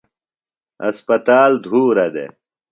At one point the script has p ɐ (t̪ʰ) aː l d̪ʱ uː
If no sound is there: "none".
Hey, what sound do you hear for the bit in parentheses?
t̪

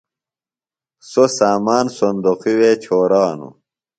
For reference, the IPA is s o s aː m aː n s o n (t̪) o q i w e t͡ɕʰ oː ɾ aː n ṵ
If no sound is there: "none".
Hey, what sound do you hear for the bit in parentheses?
d̪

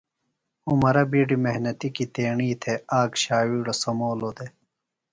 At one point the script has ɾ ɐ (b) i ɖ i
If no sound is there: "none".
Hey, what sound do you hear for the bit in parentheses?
b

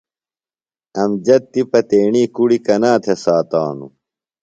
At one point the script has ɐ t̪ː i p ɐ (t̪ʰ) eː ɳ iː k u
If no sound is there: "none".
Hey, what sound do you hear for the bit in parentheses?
t̪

